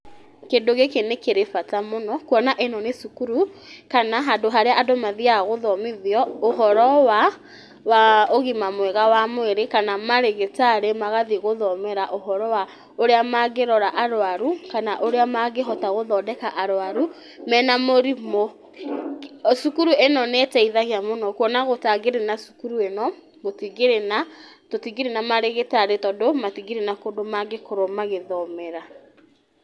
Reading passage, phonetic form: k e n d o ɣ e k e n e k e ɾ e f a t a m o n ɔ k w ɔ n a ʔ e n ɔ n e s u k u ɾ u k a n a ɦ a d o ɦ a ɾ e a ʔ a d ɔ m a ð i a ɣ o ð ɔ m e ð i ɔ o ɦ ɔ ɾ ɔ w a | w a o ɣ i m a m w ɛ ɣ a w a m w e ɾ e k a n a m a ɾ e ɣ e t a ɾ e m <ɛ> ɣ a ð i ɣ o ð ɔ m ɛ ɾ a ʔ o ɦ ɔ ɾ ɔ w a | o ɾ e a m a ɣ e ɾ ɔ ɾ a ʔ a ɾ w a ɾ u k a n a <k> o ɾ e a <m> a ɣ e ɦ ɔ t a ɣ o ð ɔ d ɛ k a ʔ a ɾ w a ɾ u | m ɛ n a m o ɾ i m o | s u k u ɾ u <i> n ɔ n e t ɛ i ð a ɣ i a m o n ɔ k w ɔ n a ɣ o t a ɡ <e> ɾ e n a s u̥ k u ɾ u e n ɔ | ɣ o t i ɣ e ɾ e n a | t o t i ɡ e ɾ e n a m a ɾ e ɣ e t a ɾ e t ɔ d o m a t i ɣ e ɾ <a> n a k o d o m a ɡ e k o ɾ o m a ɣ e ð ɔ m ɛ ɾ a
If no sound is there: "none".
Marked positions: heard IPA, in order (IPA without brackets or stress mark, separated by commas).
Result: a, ʔ, m, e, e, e